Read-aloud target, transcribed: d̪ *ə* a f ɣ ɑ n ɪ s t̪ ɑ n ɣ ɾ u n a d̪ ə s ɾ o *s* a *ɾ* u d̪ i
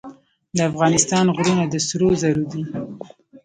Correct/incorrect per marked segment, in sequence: correct, incorrect, correct

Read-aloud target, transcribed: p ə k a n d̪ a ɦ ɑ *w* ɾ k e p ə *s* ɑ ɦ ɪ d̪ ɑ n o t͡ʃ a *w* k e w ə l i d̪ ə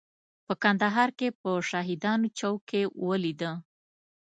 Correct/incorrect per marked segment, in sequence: incorrect, incorrect, correct

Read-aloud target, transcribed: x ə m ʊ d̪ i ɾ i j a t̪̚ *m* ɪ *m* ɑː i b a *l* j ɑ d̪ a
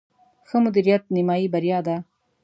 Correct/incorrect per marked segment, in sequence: incorrect, correct, incorrect

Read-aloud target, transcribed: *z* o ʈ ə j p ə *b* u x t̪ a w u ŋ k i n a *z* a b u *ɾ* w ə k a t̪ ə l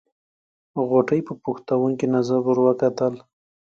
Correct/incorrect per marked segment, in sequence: incorrect, incorrect, correct, correct

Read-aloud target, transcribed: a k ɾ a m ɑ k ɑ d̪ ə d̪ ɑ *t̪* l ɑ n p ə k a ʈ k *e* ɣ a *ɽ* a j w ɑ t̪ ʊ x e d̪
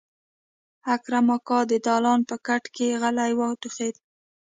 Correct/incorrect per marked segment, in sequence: incorrect, correct, incorrect

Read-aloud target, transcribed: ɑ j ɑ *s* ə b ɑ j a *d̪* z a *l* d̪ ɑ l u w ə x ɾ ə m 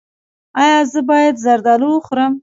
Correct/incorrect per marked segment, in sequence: incorrect, correct, incorrect

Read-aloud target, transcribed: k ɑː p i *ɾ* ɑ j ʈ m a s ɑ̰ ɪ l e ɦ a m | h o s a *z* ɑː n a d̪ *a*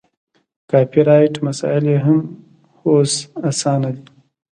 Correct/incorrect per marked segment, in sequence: correct, incorrect, incorrect

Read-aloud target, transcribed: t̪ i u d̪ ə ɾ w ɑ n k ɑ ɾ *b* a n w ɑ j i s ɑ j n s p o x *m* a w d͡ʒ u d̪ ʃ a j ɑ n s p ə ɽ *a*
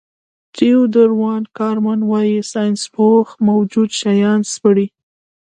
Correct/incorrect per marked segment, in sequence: incorrect, correct, incorrect

